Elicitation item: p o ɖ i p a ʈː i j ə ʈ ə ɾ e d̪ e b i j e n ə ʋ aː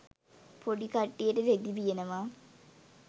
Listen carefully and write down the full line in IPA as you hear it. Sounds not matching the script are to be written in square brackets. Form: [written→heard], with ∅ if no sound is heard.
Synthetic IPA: p o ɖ i [p→k] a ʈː i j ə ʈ ə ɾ e d̪ [e→i] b i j e n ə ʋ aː